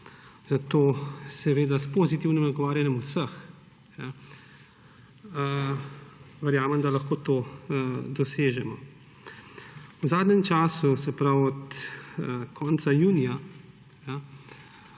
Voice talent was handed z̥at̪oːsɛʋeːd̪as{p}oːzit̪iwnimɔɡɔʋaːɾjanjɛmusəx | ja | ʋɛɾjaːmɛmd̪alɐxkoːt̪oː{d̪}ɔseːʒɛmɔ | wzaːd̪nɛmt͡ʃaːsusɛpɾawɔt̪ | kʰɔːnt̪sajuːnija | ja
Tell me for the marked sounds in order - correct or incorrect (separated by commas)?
correct, correct